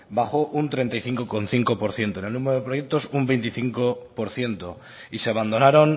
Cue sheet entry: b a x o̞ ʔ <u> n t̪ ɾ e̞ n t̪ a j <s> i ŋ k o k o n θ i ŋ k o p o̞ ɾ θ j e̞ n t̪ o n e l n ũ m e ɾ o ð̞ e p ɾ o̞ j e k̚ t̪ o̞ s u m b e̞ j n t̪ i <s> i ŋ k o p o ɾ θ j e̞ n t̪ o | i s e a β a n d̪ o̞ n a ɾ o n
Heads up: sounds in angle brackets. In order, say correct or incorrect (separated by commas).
correct, incorrect, incorrect